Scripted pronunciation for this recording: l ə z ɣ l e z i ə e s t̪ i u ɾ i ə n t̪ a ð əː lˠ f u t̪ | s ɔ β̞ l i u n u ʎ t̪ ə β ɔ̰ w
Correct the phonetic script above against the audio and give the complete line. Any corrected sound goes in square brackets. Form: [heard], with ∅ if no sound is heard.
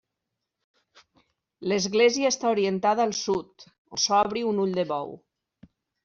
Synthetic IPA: l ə z ɣ l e z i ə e s t̪ [a] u ɾ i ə n t̪ a ð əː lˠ [s] u t̪ | s ɔ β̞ [ɾ] i u n u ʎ [d̪] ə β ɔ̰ w